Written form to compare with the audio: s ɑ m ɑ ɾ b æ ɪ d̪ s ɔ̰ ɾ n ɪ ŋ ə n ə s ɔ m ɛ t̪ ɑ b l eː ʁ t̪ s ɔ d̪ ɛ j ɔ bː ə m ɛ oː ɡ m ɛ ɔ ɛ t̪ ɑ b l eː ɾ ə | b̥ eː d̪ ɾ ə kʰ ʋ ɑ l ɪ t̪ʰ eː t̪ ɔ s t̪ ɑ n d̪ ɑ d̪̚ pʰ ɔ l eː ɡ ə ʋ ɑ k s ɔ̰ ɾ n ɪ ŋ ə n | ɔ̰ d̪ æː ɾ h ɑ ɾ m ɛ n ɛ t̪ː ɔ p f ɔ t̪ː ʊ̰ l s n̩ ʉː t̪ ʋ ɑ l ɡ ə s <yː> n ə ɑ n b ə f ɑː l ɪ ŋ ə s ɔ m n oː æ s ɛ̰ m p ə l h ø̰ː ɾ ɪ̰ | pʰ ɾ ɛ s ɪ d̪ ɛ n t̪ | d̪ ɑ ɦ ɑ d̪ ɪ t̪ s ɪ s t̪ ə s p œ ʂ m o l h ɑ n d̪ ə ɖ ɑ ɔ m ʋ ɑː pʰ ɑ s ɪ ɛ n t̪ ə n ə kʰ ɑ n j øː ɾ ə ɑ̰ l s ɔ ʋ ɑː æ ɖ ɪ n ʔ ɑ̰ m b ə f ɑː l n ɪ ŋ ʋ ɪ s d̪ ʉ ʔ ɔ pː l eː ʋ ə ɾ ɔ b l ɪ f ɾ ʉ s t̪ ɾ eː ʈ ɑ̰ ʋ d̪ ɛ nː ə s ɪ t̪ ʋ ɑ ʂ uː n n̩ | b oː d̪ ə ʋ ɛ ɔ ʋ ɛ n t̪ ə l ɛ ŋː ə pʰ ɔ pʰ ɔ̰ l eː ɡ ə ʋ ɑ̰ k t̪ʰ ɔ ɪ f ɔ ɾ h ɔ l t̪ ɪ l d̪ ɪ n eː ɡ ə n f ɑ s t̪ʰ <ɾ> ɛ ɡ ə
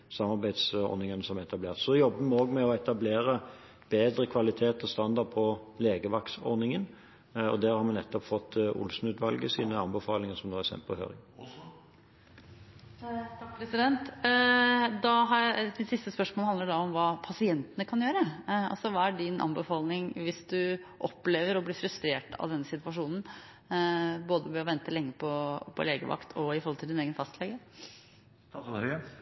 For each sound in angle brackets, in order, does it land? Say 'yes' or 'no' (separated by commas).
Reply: no, no